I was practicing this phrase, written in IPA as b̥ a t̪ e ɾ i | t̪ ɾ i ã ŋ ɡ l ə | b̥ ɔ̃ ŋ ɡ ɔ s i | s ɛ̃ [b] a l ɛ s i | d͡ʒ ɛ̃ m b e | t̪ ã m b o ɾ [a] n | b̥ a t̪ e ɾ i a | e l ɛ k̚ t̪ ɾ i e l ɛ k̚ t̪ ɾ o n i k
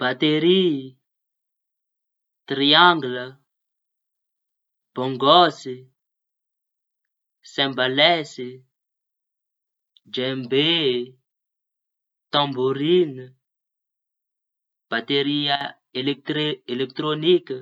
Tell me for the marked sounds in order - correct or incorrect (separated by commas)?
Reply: correct, incorrect